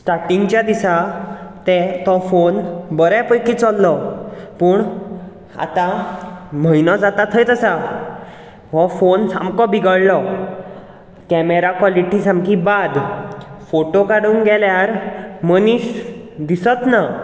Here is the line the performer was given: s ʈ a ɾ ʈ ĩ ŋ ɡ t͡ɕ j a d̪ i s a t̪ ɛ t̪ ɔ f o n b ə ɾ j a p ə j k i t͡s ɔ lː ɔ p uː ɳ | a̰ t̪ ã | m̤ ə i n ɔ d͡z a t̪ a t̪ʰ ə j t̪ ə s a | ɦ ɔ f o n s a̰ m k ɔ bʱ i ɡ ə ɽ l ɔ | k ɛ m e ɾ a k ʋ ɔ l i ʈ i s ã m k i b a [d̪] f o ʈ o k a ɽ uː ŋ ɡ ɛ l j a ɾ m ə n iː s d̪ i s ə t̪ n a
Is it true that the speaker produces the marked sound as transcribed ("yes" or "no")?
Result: yes